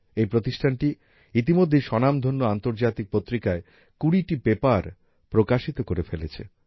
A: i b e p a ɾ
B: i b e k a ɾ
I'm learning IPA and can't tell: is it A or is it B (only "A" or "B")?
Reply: A